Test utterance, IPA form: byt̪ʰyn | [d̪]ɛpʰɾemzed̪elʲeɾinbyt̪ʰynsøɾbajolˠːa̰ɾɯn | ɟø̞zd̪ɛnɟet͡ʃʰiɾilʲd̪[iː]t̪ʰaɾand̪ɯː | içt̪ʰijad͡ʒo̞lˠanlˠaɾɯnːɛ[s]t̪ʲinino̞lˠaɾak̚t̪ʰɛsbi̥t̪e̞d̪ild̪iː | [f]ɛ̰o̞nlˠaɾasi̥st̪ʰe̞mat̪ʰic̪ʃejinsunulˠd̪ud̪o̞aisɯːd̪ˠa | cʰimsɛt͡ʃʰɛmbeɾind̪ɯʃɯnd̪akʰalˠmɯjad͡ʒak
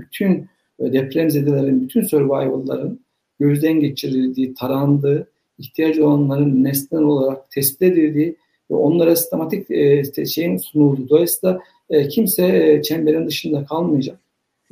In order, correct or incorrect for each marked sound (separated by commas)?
correct, correct, correct, incorrect